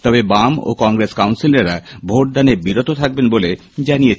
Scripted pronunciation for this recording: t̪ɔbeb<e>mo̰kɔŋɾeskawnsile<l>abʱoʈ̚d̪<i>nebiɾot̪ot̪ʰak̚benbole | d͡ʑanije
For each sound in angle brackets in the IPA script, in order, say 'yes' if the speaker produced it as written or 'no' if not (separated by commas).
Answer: no, no, no